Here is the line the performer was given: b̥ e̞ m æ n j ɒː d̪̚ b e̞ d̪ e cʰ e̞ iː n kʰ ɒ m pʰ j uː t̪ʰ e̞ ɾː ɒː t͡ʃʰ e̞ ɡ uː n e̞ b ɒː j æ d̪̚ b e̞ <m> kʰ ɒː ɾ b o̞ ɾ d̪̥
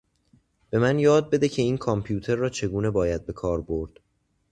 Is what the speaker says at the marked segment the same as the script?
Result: no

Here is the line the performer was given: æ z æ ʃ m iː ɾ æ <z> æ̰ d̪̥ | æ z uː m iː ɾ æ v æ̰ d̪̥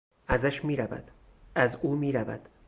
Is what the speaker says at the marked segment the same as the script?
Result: no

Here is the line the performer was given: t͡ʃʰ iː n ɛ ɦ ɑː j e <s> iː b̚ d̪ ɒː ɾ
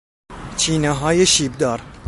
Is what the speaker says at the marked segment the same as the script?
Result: no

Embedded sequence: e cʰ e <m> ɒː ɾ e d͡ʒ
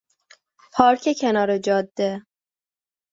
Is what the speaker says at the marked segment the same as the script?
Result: no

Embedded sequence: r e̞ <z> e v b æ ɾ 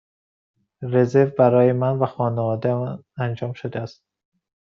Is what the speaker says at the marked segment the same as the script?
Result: yes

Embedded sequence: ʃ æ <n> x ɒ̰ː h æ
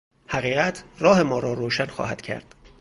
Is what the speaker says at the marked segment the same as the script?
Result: yes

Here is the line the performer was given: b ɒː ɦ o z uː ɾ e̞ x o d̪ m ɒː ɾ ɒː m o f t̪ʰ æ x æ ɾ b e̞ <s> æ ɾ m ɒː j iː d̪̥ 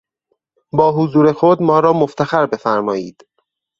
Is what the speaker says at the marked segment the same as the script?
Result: no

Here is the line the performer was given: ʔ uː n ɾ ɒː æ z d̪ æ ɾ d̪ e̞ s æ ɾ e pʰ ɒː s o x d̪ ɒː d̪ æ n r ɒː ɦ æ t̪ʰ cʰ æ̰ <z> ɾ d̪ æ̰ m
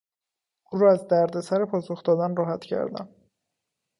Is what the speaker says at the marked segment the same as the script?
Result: no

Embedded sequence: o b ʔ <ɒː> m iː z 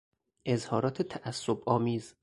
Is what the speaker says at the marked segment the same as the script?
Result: yes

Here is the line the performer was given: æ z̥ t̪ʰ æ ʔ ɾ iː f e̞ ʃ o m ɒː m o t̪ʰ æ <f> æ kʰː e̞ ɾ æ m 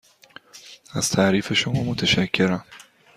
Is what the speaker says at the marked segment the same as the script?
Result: no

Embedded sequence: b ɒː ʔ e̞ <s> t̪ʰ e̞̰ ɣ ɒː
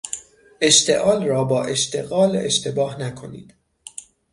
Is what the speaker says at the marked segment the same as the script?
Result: no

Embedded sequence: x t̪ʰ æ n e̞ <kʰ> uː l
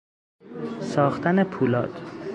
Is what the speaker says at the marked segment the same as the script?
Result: no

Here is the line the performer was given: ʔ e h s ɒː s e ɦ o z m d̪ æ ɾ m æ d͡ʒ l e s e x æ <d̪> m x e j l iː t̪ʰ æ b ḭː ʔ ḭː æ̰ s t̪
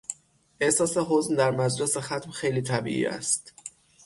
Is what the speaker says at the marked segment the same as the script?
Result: no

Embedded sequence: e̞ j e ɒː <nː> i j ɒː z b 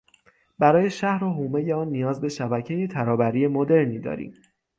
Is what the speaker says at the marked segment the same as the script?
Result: yes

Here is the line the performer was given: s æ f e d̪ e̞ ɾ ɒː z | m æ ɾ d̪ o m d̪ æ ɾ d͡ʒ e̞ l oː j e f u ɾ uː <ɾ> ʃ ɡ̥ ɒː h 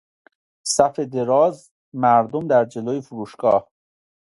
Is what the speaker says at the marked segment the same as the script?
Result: no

